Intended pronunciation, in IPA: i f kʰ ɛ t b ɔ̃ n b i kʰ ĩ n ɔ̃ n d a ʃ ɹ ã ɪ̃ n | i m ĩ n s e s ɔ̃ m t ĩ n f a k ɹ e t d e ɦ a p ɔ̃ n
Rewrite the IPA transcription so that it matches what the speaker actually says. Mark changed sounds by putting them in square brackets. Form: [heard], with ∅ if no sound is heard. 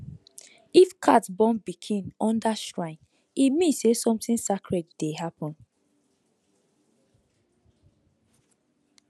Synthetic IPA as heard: i f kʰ [a] t b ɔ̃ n b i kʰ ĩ n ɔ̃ n d a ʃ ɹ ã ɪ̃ n | i m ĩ n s e s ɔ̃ m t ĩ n [s] a k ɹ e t d e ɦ a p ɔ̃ n